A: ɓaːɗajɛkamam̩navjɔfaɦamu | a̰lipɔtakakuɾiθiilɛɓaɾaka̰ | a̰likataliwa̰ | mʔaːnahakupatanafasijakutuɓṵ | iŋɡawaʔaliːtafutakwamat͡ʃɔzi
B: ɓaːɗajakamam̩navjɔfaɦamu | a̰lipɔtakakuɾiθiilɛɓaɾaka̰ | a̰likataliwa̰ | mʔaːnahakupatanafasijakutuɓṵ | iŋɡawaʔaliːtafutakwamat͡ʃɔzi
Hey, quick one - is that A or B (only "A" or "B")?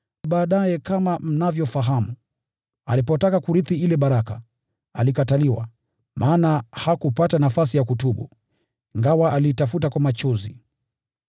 A